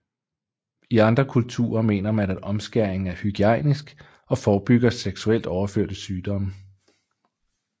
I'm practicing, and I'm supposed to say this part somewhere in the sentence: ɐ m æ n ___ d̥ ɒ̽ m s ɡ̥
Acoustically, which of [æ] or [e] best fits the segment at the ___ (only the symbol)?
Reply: æ